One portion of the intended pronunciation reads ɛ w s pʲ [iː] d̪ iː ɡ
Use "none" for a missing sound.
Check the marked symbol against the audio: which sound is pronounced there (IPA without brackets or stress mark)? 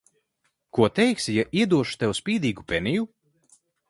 iː